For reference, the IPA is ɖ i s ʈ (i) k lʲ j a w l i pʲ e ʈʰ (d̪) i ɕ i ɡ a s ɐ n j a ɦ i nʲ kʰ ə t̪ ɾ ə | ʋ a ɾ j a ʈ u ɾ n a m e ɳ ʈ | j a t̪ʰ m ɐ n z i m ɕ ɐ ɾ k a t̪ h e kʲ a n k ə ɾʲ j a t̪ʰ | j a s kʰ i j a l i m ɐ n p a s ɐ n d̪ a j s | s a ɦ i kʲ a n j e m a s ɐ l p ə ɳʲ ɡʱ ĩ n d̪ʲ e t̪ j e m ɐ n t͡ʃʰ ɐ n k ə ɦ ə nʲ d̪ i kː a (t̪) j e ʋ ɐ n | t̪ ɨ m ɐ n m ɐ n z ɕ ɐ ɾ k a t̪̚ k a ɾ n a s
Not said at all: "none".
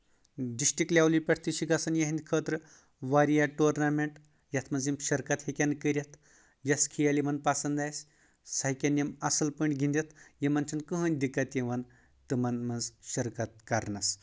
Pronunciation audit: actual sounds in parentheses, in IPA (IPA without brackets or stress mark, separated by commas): i, t̪, t̪